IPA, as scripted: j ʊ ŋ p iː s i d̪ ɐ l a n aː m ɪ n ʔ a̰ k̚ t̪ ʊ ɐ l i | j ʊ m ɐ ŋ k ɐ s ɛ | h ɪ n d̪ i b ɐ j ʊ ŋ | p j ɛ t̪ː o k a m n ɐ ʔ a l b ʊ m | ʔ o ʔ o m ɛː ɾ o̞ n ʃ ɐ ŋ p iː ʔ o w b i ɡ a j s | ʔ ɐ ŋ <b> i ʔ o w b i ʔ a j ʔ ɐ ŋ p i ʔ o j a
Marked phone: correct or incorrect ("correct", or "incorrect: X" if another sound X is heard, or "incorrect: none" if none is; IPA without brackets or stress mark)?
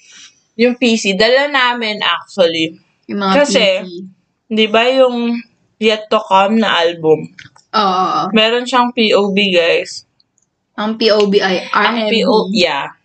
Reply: incorrect: p